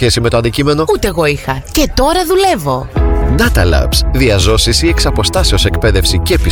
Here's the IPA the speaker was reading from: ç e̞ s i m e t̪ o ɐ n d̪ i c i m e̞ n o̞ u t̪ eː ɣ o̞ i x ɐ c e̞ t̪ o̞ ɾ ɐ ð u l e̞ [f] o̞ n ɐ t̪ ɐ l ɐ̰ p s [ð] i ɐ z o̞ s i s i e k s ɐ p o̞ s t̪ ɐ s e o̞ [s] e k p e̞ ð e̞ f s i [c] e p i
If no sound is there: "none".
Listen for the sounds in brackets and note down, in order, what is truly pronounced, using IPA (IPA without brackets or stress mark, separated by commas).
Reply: v, ð, s, c